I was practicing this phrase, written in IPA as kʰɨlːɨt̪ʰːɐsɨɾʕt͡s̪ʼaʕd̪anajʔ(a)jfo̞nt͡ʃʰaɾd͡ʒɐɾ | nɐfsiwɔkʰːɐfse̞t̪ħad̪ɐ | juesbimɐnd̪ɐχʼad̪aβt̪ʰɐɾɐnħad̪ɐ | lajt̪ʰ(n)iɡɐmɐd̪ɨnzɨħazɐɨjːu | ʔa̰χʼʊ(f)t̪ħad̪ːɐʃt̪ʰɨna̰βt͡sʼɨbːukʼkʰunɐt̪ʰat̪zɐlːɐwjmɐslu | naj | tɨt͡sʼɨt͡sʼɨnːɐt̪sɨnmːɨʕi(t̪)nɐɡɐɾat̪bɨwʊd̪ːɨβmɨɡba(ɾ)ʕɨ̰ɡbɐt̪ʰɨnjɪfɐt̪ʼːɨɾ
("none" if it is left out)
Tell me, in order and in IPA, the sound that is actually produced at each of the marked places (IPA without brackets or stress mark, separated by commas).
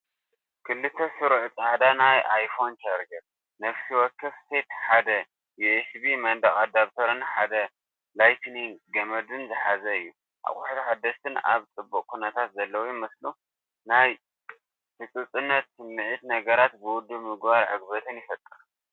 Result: a, n, ħ, t̪, ɾ